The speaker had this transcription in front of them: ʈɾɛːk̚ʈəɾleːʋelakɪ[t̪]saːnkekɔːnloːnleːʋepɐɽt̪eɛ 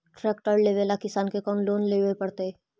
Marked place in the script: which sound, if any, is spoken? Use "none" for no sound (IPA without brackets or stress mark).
none